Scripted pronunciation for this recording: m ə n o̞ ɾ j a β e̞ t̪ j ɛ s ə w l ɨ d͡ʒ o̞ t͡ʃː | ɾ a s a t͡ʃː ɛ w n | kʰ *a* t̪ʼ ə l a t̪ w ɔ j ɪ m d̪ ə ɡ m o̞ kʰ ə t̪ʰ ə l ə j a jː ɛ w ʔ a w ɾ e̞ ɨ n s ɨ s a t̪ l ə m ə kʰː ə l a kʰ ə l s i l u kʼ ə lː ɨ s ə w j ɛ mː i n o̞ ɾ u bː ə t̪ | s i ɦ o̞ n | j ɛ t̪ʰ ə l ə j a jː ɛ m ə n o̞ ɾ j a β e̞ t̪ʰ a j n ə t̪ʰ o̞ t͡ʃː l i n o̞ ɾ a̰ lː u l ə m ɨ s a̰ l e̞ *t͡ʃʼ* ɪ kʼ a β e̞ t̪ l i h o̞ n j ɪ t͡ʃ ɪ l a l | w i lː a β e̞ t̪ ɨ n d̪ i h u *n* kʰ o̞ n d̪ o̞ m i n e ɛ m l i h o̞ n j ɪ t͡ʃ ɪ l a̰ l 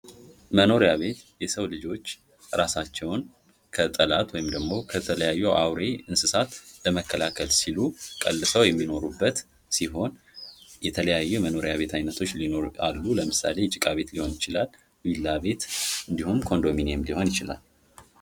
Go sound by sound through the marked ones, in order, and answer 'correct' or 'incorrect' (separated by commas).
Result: incorrect, correct, incorrect